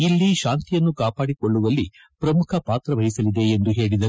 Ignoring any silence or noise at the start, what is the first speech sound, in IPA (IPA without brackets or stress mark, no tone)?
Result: i